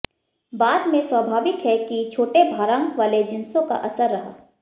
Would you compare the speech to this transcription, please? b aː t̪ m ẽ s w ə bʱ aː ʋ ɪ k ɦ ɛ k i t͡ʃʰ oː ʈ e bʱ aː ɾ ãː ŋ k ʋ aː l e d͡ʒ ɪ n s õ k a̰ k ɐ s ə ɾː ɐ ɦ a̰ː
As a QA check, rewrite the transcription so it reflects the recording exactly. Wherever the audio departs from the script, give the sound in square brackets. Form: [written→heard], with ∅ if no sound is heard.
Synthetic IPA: b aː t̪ m ẽ s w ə bʱ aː ʋ ɪ k ɦ ɛ k i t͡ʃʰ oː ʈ e bʱ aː ɾ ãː ŋ k ʋ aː l e d͡ʒ ɪ n s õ k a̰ [k→ʔ] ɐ s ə ɾː ɐ ɦ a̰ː